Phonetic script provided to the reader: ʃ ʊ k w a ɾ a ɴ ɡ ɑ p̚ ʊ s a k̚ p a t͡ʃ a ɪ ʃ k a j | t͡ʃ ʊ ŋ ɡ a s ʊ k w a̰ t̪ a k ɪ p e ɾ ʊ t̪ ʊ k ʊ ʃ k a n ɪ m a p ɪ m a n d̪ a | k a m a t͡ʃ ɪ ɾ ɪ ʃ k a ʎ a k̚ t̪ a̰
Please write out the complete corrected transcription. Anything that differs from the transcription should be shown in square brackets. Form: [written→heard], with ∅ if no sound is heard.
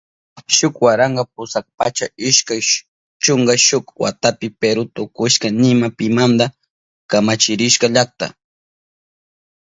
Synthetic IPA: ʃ ʊ k w a ɾ a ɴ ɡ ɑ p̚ ʊ s a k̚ p a t͡ʃ a ɪ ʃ k a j | t͡ʃ ʊ ŋ ɡ a [s→ʃ] ʊ k w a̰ t̪ a [k→p] ɪ p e ɾ ʊ t̪ ʊ k ʊ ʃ k a n ɪ m a p ɪ m a n d̪ a | k a m a t͡ʃ ɪ ɾ ɪ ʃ k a ʎ a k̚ t̪ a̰